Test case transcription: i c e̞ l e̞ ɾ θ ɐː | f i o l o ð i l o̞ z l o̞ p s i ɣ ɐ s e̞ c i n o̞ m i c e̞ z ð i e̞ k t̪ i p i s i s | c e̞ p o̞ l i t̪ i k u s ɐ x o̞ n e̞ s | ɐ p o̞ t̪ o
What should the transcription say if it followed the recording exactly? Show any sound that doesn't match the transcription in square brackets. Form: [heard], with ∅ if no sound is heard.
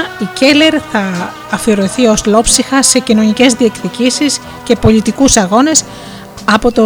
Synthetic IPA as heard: i c e̞ l e̞ ɾ θ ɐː | f i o [ɾ] o [θ] i [∅] o̞ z l o̞ p s i [x] ɐ s e̞ c i n o̞ [n] i c e̞ z ð i e̞ k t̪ i [c] i s i s | c e̞ p o̞ l i t̪ i k u s ɐ [ɣ] o̞ n e̞ s | ɐ p o̞ t̪ o